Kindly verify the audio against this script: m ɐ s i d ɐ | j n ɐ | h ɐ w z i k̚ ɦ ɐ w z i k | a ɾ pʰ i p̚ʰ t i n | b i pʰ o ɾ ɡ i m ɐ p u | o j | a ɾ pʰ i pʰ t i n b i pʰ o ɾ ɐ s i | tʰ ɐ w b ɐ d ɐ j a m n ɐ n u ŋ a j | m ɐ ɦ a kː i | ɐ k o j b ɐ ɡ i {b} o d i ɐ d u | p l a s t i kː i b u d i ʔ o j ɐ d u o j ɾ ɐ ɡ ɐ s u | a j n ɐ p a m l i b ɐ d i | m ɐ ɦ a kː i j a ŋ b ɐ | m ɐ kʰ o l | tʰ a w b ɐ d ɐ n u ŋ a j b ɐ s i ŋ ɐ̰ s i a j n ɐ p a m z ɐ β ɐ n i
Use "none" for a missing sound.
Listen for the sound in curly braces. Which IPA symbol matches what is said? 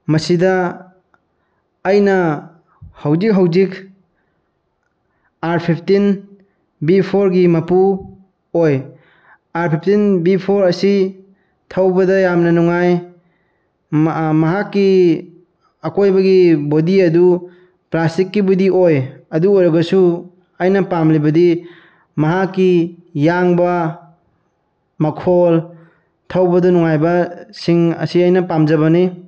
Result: b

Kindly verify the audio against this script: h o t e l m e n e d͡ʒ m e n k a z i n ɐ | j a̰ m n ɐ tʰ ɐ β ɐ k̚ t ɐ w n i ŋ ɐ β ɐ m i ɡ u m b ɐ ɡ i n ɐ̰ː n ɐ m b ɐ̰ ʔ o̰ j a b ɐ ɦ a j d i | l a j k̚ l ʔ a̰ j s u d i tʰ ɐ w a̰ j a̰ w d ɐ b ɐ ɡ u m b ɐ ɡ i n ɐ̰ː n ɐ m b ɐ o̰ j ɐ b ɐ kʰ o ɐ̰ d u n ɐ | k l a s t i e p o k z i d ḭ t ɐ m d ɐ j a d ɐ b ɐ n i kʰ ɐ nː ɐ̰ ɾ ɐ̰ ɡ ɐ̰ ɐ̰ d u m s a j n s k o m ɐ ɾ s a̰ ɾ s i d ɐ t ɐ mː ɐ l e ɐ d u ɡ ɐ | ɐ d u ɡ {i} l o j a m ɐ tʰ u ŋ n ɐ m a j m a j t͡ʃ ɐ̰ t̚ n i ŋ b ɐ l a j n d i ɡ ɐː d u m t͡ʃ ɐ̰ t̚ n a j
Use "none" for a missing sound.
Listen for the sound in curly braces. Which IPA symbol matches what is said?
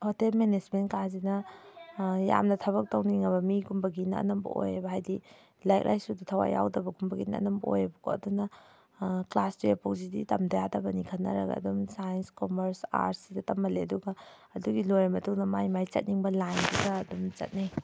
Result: i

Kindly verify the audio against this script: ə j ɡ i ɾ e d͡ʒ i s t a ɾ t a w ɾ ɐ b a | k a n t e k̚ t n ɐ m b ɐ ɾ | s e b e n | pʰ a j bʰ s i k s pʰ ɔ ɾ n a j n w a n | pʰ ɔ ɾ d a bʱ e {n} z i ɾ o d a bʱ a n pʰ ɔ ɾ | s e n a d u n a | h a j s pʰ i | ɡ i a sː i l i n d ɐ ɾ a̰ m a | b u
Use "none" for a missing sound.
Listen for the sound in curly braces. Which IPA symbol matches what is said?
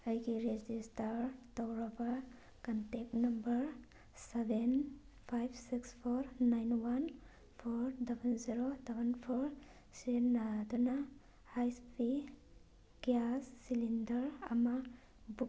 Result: n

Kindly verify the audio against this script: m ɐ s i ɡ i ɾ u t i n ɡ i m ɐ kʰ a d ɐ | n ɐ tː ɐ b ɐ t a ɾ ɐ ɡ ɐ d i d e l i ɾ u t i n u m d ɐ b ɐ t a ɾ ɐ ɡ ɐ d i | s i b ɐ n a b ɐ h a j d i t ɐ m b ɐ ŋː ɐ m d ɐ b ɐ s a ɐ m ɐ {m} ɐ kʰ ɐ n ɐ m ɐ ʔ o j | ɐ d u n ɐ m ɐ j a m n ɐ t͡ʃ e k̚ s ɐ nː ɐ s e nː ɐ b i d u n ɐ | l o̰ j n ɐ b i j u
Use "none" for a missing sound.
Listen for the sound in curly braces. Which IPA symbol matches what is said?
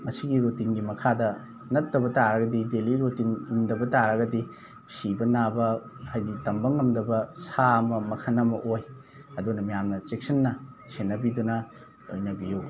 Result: m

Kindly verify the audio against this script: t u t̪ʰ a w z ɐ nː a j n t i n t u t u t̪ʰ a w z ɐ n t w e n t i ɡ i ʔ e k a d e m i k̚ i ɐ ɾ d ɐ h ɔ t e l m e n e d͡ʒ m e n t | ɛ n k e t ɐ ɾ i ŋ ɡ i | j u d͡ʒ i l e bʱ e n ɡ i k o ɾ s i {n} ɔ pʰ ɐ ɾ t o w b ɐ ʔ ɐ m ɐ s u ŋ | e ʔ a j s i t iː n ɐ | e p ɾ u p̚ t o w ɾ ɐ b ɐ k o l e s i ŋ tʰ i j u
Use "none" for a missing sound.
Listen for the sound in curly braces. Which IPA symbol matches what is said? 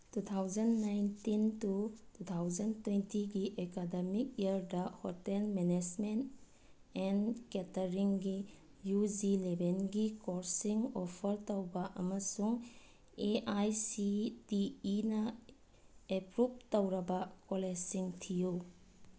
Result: ŋ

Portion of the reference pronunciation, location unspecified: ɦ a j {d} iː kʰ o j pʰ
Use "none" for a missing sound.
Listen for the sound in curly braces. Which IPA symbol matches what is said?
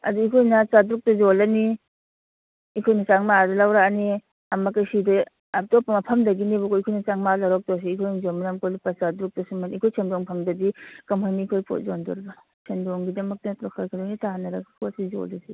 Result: n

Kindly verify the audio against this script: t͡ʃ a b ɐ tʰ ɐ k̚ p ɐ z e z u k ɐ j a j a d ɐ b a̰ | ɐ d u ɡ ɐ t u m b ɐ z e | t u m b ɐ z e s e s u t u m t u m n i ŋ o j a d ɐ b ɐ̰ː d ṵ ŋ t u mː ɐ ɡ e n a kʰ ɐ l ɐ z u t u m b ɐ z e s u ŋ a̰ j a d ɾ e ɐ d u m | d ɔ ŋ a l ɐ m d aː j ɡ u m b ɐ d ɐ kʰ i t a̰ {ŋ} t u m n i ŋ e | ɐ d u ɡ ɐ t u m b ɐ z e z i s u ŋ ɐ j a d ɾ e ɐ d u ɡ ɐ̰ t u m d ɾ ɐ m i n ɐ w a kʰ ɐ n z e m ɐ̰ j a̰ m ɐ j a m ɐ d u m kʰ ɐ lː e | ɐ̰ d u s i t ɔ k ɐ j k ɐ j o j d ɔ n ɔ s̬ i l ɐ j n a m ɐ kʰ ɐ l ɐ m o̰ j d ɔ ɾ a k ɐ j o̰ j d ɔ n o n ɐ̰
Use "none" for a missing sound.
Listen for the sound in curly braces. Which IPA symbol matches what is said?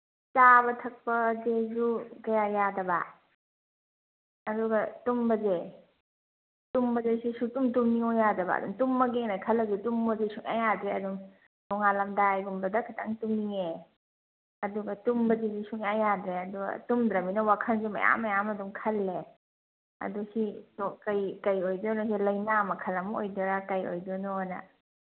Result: ŋ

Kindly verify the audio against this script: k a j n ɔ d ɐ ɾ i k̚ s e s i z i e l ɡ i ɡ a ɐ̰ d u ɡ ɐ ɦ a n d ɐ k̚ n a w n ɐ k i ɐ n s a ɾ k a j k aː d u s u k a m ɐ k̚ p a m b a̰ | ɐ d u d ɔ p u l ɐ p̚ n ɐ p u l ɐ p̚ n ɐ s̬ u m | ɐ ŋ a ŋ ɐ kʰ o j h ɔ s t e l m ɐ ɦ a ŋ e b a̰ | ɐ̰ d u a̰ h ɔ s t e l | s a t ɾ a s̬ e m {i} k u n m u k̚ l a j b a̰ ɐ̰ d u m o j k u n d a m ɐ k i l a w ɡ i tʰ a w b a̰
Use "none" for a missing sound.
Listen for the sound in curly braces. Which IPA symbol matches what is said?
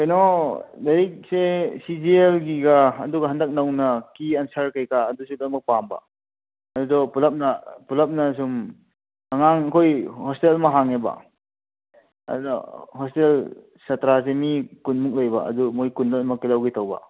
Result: i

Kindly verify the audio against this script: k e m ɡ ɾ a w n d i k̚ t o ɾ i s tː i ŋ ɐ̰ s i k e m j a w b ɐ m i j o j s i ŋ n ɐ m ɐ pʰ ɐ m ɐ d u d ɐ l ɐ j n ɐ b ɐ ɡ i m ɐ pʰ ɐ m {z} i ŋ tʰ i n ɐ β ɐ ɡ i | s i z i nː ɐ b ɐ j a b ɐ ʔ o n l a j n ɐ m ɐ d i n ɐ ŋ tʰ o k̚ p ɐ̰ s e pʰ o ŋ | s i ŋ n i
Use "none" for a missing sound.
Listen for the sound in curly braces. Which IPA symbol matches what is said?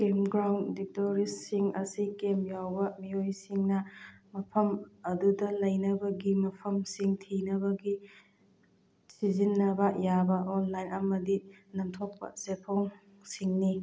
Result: s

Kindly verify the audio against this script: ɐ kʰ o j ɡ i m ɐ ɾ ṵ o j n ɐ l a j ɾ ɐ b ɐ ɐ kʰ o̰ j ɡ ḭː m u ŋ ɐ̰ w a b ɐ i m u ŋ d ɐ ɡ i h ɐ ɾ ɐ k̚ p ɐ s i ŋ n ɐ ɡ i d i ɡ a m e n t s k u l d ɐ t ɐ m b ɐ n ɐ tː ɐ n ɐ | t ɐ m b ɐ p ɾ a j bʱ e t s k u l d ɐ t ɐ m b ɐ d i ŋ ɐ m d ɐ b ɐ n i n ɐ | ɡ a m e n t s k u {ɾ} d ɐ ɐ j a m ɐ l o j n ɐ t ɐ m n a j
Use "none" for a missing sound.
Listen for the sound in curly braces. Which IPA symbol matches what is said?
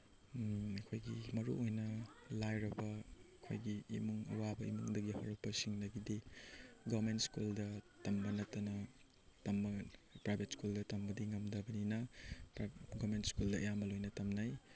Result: l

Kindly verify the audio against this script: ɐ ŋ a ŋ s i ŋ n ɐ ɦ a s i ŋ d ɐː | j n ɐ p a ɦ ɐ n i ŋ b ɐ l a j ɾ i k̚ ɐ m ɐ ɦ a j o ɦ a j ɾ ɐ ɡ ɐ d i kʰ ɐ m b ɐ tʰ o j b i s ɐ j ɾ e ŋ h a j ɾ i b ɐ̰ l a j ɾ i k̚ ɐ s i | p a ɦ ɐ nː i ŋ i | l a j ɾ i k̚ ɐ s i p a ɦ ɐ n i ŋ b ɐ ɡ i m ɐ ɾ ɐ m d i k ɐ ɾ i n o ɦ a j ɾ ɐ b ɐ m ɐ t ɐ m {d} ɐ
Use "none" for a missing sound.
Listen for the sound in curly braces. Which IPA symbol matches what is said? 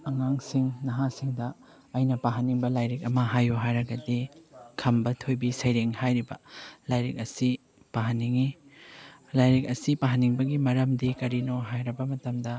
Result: d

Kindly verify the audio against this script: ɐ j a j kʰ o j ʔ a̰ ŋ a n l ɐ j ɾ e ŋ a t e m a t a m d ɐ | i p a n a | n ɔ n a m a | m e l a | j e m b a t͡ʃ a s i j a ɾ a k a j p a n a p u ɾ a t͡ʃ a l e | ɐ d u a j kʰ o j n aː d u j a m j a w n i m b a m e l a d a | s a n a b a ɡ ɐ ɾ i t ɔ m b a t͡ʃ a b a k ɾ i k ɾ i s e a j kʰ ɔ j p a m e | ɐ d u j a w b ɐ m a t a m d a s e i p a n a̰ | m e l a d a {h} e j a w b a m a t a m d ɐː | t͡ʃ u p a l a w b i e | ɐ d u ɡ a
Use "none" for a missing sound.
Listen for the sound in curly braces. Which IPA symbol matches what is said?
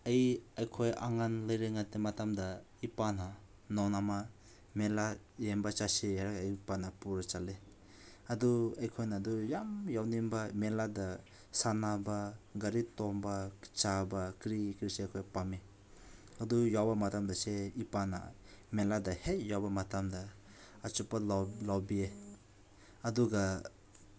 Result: h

